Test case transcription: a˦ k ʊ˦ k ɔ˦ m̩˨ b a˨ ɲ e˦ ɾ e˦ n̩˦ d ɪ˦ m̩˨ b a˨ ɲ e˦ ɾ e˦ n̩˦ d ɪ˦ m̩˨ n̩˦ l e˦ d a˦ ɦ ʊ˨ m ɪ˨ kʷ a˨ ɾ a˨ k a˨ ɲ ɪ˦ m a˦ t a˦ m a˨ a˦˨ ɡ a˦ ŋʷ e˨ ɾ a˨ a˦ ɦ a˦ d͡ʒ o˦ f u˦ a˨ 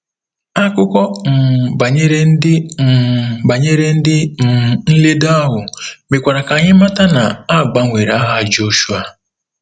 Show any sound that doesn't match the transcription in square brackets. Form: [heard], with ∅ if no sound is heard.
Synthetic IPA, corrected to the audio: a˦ k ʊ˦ k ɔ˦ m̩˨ b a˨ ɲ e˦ ɾ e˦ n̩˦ d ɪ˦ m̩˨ b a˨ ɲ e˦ ɾ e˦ n̩˦ d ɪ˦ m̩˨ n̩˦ l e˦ d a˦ ɦ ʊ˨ m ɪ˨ kʷ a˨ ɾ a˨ k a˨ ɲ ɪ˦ m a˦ t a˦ [n] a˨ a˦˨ [ɡ͡b] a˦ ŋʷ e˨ ɾ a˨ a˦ ɦ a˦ d͡ʒ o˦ [ʃ] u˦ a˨

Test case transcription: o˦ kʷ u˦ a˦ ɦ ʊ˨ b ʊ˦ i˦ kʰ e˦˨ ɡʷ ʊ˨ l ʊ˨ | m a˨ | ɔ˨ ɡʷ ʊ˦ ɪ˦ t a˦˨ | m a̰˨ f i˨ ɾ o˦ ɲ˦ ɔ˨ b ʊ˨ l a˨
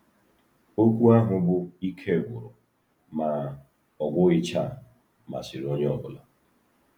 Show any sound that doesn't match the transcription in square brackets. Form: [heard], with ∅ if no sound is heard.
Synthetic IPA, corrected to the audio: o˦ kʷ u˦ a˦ ɦ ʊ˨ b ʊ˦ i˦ kʰ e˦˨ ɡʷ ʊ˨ [ɾ] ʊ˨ | m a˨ | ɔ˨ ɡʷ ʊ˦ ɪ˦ [t͡ʃ] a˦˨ | m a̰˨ [s] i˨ ɾ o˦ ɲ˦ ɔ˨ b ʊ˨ l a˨

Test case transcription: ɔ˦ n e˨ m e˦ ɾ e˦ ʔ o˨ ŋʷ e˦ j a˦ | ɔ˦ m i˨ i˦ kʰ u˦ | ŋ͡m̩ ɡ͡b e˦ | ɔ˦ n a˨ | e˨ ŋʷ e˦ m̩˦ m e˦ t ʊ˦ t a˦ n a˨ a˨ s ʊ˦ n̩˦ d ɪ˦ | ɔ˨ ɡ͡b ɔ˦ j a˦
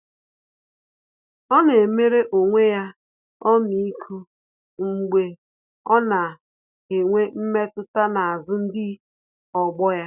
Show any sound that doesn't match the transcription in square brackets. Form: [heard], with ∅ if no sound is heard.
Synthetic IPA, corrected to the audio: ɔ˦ n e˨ m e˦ ɾ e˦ ʔ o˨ ŋʷ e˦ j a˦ | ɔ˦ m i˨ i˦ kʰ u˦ | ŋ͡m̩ ɡ͡b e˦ | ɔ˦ n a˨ | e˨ ŋʷ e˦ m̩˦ m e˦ t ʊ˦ t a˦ n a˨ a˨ [z] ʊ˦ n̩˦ d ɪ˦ | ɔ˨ ɡ͡b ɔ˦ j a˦

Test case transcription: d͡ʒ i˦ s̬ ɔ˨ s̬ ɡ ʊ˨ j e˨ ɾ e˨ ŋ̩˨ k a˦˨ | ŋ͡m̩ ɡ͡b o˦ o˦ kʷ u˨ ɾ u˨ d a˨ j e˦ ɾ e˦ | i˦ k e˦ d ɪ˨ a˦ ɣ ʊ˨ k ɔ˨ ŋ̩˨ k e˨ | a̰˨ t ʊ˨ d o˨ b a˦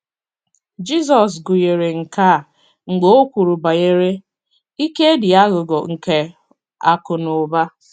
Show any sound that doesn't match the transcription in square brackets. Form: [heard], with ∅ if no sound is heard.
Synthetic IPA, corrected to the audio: d͡ʒ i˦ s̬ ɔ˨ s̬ ɡ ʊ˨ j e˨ ɾ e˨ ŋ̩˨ k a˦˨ | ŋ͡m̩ ɡ͡b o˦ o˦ kʷ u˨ ɾ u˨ [b] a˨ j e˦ ɾ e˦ | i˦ k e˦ d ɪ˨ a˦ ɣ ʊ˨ [ɡ] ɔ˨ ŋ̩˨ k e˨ | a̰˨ [k] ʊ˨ [n] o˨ b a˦

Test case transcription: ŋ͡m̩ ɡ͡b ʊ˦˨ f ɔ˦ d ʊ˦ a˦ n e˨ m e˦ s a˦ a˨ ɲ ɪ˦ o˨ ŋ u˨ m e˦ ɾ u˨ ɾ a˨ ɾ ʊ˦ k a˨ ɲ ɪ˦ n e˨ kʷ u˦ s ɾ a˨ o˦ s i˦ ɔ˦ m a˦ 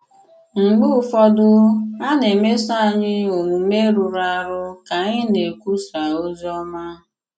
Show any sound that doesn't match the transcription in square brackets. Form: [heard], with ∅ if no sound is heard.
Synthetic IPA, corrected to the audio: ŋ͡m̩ ɡ͡b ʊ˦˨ f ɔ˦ d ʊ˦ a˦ n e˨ m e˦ s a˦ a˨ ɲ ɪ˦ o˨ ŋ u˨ m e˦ ɾ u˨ ɾ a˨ ɾ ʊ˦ k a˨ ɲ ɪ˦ n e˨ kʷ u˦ s ɾ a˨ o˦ [z] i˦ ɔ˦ m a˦

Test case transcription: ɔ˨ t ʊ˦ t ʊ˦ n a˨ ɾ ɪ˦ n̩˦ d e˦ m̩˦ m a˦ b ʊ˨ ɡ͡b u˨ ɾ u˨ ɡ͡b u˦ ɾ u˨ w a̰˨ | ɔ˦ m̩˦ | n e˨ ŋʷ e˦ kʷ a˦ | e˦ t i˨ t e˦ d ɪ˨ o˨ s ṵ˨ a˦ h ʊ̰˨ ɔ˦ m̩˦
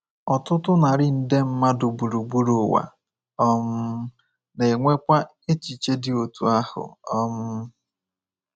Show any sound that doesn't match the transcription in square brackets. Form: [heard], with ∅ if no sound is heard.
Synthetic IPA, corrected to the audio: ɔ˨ t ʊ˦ t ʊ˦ n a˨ ɾ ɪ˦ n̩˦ d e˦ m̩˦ m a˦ [d] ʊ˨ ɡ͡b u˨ ɾ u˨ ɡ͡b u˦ ɾ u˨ w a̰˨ | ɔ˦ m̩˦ | n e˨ ŋʷ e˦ kʷ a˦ | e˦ [t͡ʃ] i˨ [t͡ʃ] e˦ d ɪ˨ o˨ [t] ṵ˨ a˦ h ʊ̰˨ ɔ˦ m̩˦

